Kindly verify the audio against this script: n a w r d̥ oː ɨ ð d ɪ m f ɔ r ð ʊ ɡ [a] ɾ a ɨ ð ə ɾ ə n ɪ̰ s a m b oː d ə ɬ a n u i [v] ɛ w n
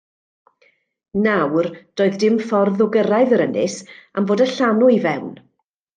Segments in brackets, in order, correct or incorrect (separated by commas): incorrect, correct